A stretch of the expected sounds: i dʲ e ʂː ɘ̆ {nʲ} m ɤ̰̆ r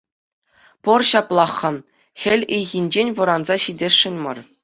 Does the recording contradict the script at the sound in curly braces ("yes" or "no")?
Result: no